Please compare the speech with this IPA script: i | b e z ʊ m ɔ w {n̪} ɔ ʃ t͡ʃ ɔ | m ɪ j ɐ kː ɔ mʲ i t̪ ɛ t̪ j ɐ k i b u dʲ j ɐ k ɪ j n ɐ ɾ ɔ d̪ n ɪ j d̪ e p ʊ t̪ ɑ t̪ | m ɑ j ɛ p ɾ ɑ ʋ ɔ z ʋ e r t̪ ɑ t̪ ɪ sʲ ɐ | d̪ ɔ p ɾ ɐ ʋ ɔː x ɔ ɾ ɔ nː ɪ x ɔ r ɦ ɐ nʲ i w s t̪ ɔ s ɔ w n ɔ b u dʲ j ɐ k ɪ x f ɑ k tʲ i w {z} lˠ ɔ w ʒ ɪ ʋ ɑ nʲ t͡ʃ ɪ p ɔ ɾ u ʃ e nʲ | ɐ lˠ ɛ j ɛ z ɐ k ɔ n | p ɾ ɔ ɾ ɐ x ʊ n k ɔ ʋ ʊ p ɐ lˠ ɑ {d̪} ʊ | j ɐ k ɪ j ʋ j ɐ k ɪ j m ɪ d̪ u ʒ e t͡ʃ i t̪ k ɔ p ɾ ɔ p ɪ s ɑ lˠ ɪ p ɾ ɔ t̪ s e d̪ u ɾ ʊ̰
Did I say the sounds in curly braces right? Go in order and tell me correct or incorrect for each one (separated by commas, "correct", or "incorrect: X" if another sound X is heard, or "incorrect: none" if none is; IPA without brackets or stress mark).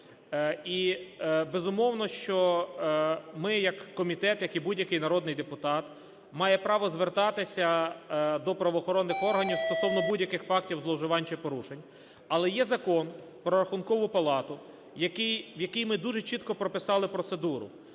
correct, correct, incorrect: t̪